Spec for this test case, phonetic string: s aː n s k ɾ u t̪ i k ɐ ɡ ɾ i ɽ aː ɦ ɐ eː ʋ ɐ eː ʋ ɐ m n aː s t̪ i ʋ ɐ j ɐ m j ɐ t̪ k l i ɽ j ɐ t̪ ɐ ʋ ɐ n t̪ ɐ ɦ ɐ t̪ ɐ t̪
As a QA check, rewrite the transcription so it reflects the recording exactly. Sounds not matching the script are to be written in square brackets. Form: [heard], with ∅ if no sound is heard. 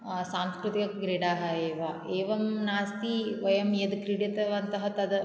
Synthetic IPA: s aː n s k ɾ u t̪ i k ɐ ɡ ɾ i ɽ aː ɦ ɐ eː ʋ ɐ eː ʋ ɐ m n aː s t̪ i ʋ ɐ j ɐ m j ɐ [d̪] k [ɾ] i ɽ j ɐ t̪ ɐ ʋ ɐ n t̪ ɐ ɦ ɐ t̪ ɐ [d̪]